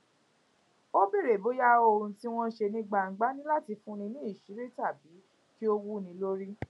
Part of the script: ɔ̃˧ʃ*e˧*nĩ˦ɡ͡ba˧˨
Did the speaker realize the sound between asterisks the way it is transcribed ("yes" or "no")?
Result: yes